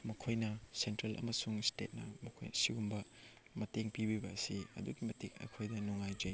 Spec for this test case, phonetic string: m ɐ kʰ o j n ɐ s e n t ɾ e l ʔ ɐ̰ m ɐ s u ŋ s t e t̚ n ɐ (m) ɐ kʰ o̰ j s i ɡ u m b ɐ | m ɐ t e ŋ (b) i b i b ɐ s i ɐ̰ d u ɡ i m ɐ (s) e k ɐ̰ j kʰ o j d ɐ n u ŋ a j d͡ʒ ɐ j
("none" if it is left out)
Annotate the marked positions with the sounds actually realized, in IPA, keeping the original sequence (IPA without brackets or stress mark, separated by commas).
m, p, t